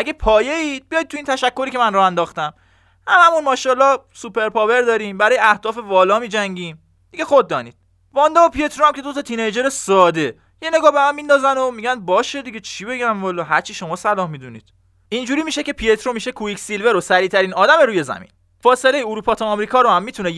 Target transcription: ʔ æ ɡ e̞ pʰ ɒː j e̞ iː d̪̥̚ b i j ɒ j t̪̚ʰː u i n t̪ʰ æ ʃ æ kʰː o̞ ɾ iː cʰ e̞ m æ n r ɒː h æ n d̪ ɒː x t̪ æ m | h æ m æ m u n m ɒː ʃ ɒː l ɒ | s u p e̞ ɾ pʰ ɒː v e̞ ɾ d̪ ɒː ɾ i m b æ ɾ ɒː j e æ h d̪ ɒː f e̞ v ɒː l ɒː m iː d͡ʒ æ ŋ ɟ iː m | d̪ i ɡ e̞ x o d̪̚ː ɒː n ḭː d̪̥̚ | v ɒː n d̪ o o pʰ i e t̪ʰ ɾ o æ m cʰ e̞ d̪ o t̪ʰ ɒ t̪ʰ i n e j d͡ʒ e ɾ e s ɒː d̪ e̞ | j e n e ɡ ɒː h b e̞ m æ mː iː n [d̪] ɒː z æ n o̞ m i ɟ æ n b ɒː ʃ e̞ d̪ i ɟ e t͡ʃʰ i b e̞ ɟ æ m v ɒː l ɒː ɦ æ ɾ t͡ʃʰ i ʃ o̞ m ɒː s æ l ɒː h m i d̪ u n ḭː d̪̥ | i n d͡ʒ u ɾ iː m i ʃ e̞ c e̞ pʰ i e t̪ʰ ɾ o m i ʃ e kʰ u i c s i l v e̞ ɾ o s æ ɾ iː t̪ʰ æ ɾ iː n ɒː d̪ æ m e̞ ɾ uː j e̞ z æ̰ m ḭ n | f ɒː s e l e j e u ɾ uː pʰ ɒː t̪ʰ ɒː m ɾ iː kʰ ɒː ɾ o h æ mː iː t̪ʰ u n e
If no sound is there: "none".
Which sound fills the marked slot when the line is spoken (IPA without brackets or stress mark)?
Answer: d̪